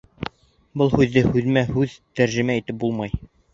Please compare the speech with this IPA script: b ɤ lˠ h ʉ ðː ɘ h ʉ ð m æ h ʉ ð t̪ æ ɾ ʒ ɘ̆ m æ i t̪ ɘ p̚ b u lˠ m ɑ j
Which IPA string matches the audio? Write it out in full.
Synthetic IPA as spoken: b ɤ lˠ h ʉ ðː ɘ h ʉ ð m æ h ʉ ð t̪ æ ɾ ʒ ɘ̆ m æ i t̪ ɘ p̚ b u lˠ m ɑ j